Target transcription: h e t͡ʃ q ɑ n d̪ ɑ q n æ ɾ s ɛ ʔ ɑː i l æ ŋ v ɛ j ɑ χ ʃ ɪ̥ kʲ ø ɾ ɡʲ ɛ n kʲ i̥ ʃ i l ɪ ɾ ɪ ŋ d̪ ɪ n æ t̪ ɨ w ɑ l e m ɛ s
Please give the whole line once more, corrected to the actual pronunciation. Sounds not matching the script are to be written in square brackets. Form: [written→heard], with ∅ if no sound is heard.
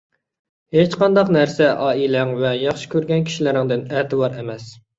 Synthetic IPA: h e t͡ʃ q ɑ n d̪ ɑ q n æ ɾ s ɛ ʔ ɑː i l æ ŋ v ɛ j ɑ χ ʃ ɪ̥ kʲ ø ɾ ɡʲ ɛ n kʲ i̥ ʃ i l ɪ ɾ ɪ ŋ d̪ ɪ n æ t̪ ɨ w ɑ [l→ɾ] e m ɛ s